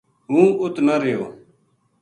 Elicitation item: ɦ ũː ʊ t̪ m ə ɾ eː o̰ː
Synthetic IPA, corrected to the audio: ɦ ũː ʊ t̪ n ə ɾ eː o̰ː